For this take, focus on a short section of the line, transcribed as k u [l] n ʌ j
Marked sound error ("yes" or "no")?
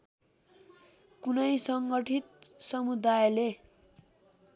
yes